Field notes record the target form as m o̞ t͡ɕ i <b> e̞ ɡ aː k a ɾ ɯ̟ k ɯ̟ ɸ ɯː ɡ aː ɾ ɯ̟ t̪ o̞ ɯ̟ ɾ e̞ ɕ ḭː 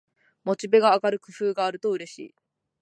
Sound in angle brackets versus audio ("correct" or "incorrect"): correct